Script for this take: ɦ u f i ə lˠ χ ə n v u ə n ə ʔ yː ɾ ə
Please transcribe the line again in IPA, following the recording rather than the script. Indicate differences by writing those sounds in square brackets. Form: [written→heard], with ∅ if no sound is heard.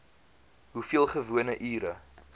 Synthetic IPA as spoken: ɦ u f i ə lˠ χ ə [n→∅] v u ə n ə ʔ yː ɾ ə